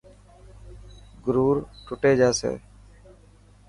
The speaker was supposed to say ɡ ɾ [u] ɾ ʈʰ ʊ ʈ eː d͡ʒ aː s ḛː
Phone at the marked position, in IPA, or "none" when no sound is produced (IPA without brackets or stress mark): uː